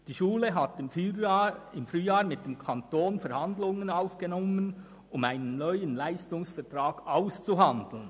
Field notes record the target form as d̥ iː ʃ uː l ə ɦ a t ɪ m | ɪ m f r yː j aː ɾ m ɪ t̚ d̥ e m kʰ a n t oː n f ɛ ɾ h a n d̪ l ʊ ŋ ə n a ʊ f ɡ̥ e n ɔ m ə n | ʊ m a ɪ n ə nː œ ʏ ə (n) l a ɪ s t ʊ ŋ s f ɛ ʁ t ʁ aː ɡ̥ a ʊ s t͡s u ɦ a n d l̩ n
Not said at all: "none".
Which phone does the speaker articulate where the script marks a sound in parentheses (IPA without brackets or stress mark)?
n